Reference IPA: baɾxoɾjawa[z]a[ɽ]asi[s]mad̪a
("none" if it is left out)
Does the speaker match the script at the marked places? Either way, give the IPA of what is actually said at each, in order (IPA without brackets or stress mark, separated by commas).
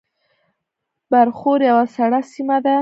s, ɽ, none